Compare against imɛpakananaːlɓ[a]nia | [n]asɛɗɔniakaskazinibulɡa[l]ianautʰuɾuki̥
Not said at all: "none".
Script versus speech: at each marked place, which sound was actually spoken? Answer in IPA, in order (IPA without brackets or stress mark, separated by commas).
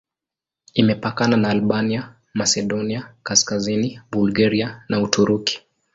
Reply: a, m, ɾ